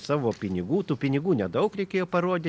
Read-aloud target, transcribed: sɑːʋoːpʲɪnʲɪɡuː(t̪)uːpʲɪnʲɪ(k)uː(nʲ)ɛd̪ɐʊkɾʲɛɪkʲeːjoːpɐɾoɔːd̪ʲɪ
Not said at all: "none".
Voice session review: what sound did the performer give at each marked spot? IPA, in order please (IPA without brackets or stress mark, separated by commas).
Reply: t̪, ɡ, nʲ